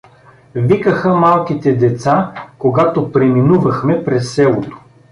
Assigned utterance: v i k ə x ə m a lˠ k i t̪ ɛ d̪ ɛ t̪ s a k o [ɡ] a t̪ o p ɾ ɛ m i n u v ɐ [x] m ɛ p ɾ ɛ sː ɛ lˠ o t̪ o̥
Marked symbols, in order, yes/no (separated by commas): yes, yes